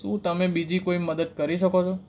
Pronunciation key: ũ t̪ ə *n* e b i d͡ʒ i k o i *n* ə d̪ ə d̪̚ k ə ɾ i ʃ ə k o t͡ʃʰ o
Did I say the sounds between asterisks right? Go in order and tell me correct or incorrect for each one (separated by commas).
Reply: incorrect, incorrect